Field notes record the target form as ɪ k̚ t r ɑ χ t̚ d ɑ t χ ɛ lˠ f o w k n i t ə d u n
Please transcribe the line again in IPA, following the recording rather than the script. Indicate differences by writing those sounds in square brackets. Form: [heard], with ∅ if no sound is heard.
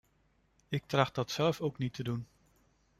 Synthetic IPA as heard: ɪ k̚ t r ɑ χ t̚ d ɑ t [s] ɛ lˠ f o w k n i t ə d u n